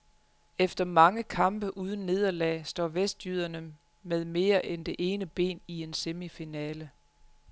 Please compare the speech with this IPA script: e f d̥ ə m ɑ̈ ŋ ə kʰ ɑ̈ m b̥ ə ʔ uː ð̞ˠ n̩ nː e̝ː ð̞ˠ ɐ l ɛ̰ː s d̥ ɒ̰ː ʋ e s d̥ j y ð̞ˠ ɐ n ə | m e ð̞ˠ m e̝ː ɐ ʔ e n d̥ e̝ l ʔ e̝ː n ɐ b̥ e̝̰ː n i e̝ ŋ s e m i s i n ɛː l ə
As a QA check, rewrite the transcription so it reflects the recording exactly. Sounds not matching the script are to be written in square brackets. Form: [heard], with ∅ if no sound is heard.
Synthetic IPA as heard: e f d̥ [ɐ] m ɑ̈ ŋ ə kʰ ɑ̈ m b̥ ə ʔ uː ð̞ˠ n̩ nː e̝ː ð̞ˠ ɐ l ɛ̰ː s d̥ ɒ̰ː ʋ e s d̥ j y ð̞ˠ ɐ n ə | m e ð̞ˠ m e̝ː ɐ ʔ e n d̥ e̝ [∅] ʔ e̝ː n [ə] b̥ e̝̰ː n i e̝ [n] s e m i [f] i n ɛː l ə